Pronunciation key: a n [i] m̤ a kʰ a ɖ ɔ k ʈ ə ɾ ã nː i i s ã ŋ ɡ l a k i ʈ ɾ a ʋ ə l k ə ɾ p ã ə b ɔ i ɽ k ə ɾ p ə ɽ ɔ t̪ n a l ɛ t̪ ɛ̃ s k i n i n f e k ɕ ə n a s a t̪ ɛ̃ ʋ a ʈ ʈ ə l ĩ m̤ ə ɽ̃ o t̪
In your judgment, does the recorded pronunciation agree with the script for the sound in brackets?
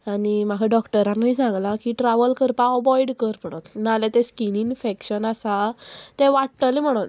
yes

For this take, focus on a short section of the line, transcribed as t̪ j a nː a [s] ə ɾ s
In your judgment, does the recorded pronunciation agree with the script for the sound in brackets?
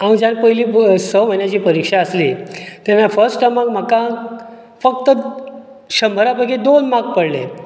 no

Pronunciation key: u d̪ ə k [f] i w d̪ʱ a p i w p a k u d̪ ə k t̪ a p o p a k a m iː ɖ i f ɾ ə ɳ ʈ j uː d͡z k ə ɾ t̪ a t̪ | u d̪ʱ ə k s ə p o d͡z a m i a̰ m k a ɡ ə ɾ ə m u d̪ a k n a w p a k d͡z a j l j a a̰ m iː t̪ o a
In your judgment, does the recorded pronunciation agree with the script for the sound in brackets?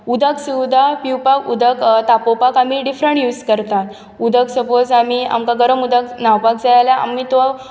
no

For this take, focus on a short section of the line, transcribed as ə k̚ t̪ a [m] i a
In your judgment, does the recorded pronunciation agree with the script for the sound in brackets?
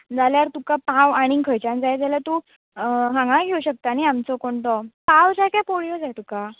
no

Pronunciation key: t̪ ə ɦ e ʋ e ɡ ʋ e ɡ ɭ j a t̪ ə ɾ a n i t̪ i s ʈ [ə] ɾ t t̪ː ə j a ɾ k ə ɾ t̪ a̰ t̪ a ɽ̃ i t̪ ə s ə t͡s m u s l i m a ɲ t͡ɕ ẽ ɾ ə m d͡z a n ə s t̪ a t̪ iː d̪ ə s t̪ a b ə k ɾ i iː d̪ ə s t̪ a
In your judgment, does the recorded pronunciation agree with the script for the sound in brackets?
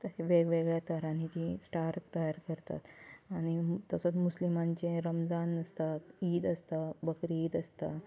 no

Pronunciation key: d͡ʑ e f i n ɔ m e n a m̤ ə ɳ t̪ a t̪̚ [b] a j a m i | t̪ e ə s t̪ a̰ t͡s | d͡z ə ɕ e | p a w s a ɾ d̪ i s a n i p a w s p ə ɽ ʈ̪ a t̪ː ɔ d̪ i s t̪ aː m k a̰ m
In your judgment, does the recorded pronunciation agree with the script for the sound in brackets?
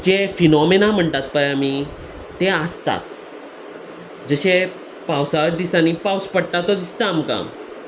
no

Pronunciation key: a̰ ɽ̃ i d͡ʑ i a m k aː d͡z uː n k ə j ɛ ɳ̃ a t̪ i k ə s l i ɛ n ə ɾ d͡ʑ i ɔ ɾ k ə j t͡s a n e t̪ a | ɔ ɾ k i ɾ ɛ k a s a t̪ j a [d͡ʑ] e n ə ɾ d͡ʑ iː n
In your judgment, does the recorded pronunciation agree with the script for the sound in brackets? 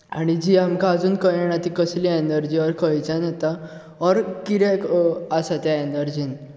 no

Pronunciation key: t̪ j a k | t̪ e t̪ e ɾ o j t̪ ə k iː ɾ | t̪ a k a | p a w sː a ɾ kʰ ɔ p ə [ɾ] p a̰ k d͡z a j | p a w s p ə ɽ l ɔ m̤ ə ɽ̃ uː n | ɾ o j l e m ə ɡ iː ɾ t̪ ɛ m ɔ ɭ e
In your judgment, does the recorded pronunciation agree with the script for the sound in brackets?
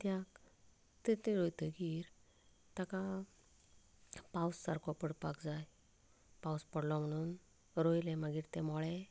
no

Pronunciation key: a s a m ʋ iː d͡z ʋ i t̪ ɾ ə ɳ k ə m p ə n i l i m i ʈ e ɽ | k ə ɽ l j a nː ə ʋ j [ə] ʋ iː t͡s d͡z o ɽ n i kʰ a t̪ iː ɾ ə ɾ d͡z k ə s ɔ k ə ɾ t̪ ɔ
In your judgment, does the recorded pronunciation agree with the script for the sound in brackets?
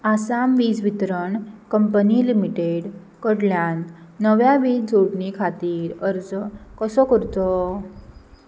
no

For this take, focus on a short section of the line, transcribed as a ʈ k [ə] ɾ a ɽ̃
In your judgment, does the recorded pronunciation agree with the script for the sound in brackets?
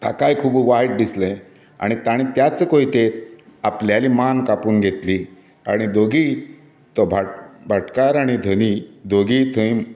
no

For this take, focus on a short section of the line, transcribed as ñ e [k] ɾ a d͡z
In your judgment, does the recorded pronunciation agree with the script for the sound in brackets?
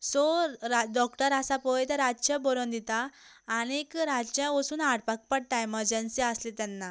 yes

